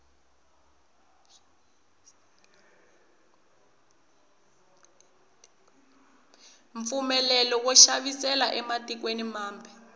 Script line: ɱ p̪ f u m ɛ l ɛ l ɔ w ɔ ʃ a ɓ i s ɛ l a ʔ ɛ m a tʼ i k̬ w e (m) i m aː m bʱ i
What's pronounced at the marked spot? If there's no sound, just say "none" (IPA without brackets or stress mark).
n